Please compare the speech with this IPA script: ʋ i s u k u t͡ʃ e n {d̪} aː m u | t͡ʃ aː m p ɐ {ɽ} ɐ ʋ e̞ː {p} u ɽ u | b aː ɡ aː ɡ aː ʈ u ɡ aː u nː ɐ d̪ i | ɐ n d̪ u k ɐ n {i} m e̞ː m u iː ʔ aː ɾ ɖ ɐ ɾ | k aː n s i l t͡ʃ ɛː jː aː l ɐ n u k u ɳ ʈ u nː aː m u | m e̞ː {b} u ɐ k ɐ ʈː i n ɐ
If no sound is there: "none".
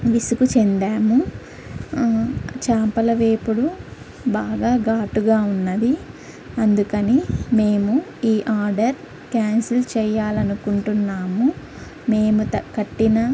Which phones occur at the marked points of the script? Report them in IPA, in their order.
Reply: d̪, l, p, i, m

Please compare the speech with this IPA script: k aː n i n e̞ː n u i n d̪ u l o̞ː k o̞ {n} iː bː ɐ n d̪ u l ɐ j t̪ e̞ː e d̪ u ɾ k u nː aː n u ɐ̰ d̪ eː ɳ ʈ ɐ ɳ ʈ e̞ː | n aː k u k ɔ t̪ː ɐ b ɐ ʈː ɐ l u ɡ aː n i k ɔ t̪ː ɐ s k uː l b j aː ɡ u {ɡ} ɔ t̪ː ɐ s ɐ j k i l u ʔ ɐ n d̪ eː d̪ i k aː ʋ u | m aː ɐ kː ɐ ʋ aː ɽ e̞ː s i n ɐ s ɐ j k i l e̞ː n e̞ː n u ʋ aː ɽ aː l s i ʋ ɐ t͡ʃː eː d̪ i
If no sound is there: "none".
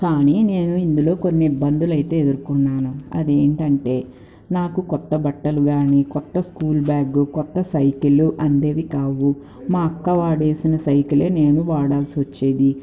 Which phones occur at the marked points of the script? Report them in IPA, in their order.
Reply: nː, k

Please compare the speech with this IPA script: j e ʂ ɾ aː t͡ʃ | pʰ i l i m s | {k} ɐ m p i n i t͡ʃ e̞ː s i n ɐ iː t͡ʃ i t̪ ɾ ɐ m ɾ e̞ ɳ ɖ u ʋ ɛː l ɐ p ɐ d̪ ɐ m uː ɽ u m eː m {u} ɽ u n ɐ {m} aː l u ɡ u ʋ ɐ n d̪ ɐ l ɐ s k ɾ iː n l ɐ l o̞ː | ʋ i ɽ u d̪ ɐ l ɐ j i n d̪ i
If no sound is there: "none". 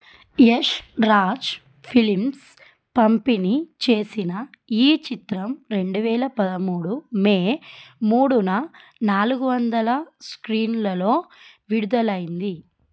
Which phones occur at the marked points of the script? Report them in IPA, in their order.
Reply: p, uː, n

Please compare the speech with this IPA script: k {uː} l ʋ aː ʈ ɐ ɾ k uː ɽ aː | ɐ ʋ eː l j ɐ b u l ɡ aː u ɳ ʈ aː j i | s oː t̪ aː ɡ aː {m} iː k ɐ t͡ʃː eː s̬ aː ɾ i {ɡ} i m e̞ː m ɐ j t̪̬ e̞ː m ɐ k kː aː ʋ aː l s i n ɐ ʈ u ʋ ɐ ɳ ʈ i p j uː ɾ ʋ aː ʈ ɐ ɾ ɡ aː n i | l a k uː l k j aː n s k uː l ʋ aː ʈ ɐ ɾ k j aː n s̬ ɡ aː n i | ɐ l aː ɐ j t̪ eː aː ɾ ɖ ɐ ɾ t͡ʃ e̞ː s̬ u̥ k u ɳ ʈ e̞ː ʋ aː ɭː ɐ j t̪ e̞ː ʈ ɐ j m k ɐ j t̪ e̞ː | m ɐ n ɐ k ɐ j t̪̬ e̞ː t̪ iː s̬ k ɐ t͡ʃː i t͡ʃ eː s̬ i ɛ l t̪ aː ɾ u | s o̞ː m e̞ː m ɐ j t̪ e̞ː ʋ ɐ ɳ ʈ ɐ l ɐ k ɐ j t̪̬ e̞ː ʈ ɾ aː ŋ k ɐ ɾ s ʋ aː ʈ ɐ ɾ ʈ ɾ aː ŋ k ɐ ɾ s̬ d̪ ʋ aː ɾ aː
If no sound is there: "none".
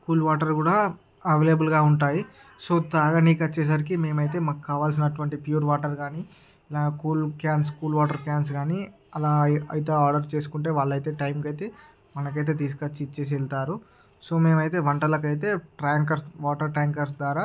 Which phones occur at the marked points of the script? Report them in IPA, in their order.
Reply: uː, n, k

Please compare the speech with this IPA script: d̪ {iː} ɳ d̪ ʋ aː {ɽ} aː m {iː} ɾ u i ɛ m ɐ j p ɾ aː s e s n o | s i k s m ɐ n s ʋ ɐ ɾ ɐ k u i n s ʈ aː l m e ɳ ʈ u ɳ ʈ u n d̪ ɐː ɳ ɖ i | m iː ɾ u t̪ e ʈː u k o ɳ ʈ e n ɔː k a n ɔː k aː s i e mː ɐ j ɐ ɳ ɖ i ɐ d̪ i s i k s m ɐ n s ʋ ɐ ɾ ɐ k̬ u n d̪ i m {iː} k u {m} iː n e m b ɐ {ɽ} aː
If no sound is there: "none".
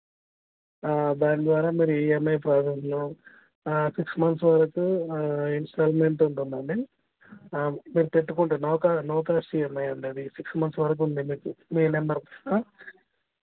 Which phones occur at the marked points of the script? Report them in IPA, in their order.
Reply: aː, ɾ, iː, iː, m, ɾ

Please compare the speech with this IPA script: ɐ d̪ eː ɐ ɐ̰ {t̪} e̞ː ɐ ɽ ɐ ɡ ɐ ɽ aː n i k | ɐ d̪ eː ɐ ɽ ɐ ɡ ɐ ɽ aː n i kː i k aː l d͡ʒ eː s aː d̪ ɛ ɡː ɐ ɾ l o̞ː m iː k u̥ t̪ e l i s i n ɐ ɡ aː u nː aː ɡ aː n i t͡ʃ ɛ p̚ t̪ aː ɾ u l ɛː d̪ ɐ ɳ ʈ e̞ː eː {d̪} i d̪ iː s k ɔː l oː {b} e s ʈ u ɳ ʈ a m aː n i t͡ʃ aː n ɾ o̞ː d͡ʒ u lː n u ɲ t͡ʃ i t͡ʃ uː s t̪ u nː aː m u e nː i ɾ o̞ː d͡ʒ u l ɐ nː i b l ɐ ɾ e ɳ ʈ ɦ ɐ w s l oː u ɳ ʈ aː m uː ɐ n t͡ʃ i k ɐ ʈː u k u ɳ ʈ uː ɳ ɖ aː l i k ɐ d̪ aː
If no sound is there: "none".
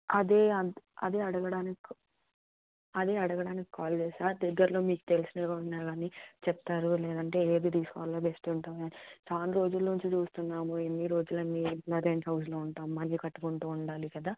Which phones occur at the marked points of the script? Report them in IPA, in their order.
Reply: d̪, d̪, b

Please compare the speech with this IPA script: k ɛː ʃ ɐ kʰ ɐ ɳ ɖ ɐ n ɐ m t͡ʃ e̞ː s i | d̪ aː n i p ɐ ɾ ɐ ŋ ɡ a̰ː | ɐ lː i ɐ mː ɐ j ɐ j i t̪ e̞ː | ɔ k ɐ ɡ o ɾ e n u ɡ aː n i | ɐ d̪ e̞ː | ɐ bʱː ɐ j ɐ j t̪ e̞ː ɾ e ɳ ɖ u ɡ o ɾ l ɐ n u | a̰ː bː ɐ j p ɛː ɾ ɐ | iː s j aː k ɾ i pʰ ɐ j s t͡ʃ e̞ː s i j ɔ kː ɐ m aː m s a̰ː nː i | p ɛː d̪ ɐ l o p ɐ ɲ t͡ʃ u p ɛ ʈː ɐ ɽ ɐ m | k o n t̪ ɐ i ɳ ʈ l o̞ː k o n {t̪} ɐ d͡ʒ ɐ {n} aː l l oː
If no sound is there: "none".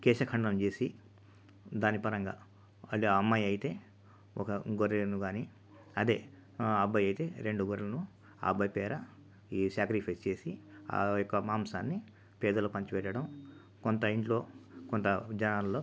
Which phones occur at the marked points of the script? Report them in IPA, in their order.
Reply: t̪, n

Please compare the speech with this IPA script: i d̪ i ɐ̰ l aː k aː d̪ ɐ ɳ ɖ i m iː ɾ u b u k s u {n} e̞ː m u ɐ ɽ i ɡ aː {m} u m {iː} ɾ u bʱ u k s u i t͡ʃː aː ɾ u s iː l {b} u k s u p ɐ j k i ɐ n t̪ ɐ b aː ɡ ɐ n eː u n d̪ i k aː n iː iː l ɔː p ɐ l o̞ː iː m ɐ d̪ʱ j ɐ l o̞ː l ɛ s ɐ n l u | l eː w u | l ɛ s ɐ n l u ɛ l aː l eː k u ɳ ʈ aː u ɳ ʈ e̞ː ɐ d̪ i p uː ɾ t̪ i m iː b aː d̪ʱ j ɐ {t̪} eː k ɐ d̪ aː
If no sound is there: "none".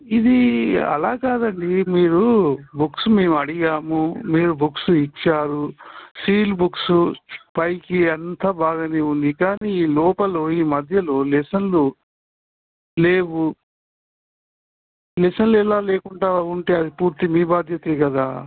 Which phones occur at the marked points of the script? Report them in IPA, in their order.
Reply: m, m, iː, b, t̪

